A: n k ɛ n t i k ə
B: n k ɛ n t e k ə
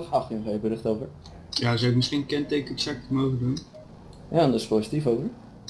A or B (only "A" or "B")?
B